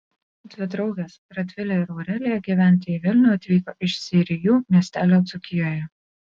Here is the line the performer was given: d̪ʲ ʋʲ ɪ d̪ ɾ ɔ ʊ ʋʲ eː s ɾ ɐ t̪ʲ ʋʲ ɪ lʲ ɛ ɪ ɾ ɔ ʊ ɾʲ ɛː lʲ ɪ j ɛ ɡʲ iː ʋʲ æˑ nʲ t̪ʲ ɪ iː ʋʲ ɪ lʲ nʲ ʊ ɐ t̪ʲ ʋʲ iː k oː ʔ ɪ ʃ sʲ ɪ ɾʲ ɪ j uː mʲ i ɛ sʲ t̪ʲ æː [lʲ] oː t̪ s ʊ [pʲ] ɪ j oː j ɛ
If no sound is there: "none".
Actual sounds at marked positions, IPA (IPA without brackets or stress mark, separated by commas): lʲ, kʲ